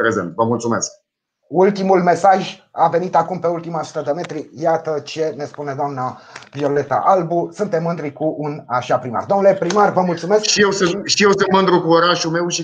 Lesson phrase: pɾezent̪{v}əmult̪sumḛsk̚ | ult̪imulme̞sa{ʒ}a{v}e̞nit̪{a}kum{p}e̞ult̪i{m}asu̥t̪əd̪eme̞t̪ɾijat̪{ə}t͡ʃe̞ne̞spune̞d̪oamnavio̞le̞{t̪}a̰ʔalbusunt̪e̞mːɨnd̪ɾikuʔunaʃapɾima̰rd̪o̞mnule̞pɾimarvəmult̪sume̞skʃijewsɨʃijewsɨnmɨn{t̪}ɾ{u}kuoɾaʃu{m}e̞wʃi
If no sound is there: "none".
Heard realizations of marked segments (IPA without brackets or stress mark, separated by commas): v, ʒ, v, a, p, m, ə, t̪, d̪, u, m